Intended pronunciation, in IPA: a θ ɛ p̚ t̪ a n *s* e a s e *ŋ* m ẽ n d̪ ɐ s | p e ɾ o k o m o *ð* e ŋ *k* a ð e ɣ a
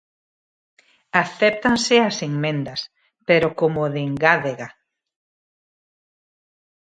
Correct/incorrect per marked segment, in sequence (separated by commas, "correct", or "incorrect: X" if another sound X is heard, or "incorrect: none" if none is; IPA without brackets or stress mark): correct, correct, correct, incorrect: ɡ